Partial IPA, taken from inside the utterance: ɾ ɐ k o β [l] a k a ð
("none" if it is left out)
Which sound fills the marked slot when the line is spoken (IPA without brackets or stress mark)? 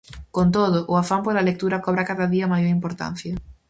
ɾ